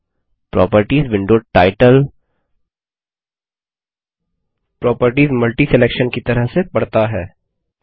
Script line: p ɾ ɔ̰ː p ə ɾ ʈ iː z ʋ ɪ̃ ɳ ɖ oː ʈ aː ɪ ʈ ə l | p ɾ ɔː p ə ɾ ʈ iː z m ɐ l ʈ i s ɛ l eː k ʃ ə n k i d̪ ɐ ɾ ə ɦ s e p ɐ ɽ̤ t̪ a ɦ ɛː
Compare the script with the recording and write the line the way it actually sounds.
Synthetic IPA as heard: p ɾ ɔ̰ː p ə ɾ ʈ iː z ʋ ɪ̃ ɳ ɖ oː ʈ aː ɪ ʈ ə l | p ɾ ɔː p ə ɾ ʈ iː z m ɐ l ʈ i s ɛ l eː k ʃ ə n k i t̪ ɐ ɾ ə ɦ s e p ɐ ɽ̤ t̪ a ɦ ɛː